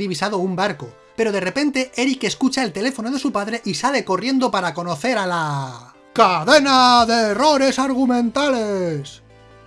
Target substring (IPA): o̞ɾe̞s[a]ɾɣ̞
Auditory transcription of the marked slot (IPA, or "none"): a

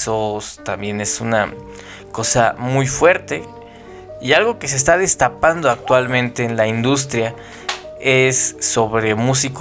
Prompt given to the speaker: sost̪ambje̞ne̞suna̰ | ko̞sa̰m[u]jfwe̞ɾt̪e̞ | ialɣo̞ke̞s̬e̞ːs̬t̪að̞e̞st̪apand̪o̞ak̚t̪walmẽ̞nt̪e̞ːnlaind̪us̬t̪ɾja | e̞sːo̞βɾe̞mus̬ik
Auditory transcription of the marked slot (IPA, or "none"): u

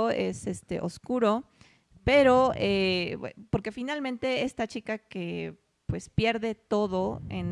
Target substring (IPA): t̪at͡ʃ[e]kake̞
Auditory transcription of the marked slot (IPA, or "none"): i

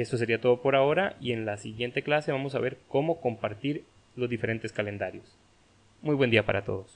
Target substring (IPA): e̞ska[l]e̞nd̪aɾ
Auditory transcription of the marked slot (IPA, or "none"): l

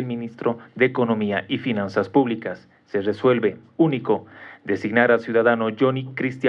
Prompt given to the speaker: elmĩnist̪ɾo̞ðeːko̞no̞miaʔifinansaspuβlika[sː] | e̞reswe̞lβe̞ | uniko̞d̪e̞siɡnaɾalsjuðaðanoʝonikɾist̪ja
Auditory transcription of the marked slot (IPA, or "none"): sː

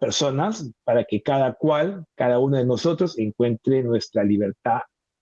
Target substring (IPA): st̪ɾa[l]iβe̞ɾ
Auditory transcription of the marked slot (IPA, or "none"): l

